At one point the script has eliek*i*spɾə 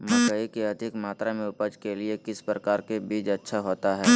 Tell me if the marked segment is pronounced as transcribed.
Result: no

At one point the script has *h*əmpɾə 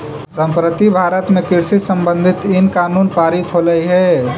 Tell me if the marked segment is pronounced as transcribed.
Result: no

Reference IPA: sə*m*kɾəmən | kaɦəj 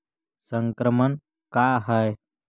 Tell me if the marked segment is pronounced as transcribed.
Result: no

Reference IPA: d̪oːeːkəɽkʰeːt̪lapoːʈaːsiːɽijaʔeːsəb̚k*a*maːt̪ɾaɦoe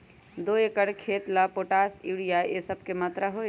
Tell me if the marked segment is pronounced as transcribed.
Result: no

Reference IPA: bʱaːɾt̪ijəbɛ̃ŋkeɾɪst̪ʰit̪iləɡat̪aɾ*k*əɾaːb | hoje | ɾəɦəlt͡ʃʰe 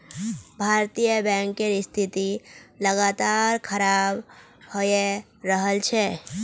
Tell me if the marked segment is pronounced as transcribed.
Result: no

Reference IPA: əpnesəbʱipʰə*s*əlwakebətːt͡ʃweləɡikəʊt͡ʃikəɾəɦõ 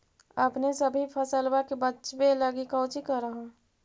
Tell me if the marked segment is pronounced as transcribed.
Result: yes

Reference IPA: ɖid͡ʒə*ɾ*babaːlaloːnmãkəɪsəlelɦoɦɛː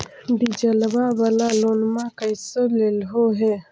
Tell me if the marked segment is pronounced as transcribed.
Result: no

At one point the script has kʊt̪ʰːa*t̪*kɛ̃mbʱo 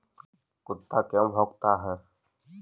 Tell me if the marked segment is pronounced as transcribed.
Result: no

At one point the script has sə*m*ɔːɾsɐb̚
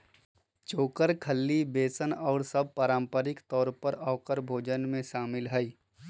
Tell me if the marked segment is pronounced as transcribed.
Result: no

